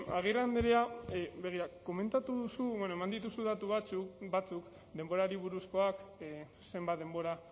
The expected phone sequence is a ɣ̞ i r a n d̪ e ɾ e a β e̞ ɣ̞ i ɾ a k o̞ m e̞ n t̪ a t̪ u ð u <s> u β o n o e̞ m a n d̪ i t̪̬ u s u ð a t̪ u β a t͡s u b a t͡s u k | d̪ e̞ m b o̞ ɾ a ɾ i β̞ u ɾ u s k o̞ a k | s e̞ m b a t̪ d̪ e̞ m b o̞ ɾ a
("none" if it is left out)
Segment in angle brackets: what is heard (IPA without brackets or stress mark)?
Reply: s